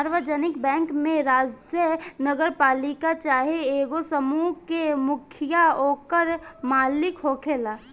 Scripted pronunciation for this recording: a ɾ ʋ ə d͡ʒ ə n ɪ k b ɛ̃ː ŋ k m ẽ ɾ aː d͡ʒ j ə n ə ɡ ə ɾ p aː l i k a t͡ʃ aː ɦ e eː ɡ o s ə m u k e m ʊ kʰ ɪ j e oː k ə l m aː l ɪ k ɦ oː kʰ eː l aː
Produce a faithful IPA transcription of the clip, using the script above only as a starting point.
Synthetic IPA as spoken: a ɾ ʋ ə d͡ʒ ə n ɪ k b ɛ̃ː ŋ k m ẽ ɾ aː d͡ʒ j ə n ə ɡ ə ɾ p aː l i k a t͡ʃ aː ɦ e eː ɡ o s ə m u k e m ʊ kʰ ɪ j a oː k ə ɾ m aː l ɪ k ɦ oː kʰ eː l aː